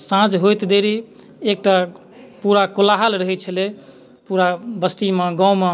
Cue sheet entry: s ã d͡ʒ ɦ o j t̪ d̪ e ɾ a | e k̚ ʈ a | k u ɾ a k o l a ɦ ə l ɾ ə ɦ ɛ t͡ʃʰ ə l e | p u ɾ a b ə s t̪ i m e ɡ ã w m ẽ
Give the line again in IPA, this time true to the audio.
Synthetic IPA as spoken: s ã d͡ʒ ɦ o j t̪ d̪ e ɾ i | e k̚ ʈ a | p u ɾ a k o l a ɦ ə l ɾ ə ɦ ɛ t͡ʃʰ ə l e | p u ɾ a b ə s t̪ i m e ɡ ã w m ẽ

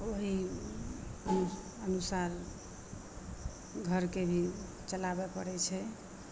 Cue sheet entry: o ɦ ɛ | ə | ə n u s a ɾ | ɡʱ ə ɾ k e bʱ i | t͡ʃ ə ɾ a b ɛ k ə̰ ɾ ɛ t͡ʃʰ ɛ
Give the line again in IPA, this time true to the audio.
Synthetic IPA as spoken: o ɦ i | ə | ə n u s a ɾ | ɡʱ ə ɾ k e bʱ i | t͡ʃ ə l a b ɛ p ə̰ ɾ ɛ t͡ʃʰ ɛ

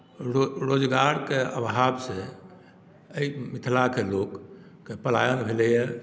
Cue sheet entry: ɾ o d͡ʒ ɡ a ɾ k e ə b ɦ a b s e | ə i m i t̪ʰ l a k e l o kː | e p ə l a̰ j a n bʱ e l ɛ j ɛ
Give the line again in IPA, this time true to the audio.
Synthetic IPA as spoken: ɾ o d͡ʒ ɡ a ɾ k e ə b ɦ a b s e | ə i m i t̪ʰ l a k e l o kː | e p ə l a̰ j ə n bʱ e l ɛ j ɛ

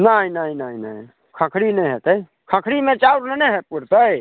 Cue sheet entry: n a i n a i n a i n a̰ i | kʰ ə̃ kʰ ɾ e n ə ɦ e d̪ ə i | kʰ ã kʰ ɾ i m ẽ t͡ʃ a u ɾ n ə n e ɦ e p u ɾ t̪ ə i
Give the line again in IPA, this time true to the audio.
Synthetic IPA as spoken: n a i n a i n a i n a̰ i | kʰ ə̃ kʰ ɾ i n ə ɦ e t̪ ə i | kʰ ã kʰ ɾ i m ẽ t͡ʃ a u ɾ n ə n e ɦ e p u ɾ t̪ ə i

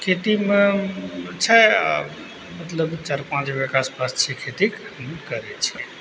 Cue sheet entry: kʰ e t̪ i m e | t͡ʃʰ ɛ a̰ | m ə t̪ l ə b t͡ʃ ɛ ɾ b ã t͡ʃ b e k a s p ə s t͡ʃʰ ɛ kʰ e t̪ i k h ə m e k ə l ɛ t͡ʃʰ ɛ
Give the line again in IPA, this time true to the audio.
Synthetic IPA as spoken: kʰ e t̪ i m e | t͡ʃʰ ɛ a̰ | m ə t̪ l ə b t͡ʃ a ɾ p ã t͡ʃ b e k a s p a s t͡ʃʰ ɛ kʰ e t̪ i k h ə m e k ə ɾ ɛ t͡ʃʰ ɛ

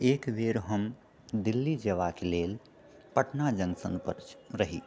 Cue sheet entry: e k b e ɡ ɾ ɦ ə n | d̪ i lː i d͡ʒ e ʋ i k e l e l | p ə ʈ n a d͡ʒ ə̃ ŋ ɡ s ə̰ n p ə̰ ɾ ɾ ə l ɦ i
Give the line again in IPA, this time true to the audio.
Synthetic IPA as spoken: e k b e ɾ ɦ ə m | d̪ i lː i d͡ʒ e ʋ a k e l e l | p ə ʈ n a d͡ʒ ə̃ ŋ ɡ s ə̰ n p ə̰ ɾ ɾ ə ɦ i

